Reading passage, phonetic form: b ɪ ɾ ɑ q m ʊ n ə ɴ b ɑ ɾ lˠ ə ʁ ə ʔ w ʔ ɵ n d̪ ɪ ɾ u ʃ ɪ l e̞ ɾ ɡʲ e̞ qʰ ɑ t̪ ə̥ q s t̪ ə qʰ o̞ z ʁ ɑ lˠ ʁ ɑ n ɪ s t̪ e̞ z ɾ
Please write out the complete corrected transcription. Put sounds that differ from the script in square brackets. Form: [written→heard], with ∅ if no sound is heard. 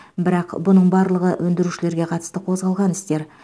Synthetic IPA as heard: b ɪ ɾ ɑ q [m→b] ʊ n ə ɴ b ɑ ɾ lˠ ə ʁ ə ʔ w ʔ ɵ n d̪ ɪ ɾ u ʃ ɪ l e̞ ɾ ɡʲ e̞ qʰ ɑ t̪ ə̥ [q→∅] s t̪ ə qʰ o̞ z ʁ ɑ lˠ ʁ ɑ n ɪ s t̪ e̞ [z→∅] ɾ